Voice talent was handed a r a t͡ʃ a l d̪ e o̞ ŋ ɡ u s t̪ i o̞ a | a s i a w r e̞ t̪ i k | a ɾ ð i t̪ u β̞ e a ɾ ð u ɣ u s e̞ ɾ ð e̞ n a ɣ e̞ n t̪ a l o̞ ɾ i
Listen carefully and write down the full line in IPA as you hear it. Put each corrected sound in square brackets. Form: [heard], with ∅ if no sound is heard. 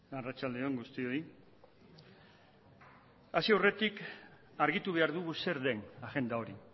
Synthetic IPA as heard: a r a t͡ʃ a l d̪ e o̞ ŋ ɡ u s t̪ i o̞ [i] | a s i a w r e̞ t̪ i k | a ɾ [ɣ] i t̪ u β̞ e a ɾ ð u ɣ u s e̞ ɾ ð e̞ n a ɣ e̞ n [d̪] a [∅] o̞ ɾ i